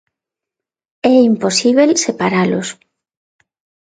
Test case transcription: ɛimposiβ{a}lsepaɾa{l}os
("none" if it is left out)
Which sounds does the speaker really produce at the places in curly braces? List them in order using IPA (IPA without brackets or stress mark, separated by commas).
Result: e, l